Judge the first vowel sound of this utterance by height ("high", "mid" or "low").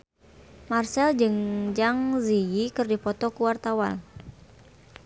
low